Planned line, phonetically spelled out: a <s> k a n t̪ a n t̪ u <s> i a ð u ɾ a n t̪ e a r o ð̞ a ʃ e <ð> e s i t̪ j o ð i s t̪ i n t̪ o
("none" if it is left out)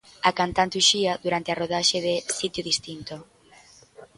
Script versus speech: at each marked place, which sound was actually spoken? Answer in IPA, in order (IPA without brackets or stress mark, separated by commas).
none, ʃ, ð